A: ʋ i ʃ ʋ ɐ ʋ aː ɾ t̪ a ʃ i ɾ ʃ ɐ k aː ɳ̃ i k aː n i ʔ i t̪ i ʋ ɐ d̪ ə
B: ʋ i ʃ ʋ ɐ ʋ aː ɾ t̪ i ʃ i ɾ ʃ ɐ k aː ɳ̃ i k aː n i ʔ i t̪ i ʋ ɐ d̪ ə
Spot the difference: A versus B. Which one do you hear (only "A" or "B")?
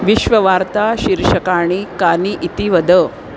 A